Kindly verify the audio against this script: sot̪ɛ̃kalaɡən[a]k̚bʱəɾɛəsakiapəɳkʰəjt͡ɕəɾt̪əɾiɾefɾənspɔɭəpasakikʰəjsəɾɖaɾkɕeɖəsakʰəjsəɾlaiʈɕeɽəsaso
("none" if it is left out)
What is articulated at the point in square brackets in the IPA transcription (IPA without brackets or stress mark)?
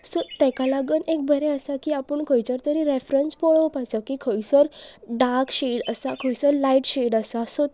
e